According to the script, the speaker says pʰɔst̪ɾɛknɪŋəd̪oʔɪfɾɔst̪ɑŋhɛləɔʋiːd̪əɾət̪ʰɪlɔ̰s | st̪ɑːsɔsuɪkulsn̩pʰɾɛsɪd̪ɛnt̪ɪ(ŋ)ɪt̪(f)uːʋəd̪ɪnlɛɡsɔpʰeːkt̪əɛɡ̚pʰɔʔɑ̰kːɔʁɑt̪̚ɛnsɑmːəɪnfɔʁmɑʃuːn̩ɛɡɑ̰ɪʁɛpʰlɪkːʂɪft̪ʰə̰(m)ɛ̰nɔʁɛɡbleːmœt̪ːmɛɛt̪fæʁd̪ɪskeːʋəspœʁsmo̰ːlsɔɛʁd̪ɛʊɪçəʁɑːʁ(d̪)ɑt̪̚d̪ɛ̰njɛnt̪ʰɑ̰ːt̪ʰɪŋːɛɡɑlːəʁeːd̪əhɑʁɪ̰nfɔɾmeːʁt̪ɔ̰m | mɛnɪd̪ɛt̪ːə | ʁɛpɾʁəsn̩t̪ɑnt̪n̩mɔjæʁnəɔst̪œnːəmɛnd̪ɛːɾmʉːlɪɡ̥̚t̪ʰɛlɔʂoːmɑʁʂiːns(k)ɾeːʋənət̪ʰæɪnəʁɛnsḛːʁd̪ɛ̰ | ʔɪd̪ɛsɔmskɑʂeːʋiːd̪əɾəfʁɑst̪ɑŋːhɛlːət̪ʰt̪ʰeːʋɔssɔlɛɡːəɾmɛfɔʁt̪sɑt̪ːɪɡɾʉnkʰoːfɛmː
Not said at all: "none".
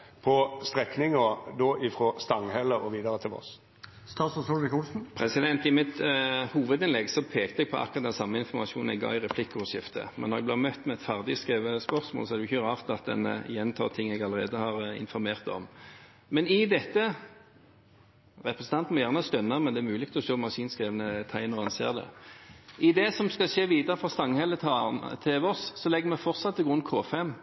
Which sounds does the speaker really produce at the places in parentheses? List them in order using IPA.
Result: m, h, m, t̪, k

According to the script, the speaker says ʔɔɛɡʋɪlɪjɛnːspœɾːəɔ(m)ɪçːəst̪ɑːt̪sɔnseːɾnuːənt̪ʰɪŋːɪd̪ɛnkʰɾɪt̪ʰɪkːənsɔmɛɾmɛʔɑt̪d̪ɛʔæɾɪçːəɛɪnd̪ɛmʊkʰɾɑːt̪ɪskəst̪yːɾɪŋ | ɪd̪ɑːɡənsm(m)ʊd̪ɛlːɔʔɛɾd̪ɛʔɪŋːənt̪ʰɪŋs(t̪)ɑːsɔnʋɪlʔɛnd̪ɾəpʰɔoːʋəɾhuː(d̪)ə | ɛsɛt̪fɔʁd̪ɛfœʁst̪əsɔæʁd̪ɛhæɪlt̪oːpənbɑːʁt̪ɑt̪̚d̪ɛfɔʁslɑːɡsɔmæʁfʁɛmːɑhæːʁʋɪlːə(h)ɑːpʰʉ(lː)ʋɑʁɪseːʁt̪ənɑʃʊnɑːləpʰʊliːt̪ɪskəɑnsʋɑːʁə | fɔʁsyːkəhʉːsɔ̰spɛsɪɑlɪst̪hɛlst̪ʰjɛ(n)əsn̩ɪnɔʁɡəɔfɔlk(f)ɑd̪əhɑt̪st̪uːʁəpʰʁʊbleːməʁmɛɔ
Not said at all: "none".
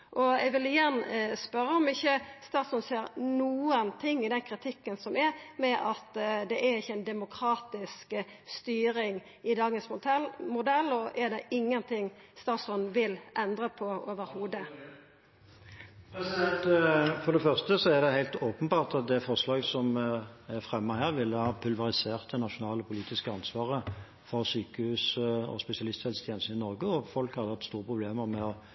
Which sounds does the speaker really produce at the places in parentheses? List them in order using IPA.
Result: m, m, t̪, d̪, h, l, n, h

